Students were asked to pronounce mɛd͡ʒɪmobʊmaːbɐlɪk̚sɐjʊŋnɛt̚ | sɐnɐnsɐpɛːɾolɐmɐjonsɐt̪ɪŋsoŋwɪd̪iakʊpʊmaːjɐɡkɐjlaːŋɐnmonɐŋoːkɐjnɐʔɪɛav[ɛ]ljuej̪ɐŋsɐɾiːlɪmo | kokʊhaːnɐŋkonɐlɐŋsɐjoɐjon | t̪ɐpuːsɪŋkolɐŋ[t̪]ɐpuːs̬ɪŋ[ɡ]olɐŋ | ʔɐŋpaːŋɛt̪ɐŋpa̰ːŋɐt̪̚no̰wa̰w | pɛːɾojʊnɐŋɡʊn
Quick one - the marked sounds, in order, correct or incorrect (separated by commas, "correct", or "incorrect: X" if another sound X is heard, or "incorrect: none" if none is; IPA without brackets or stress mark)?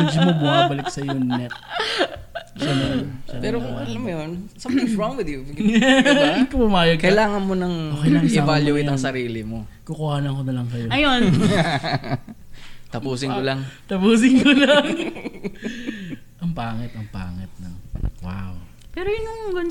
incorrect: a, correct, incorrect: k